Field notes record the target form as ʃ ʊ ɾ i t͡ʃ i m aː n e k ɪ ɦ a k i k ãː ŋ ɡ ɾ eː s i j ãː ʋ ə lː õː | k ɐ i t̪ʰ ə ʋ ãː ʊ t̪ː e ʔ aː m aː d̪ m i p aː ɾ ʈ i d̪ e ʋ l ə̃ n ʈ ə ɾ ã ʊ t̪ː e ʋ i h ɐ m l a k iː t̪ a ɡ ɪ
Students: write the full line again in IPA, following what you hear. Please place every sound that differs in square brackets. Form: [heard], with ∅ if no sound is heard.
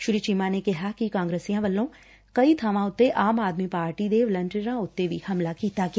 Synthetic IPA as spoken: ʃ ʊ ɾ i t͡ʃ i m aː n e k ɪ ɦ a k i k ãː ŋ ɡ ɾ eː s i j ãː ʋ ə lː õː | k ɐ i t̪ʰ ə ʋ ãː ʊ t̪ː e ʔ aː m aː d̪ m i p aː ɾ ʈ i d̪ e ʋ l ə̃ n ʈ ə ɾ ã ʊ t̪ː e ʋ i h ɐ m l a k iː t̪ a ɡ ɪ